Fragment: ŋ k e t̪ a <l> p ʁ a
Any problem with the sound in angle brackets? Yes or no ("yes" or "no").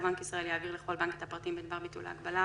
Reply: yes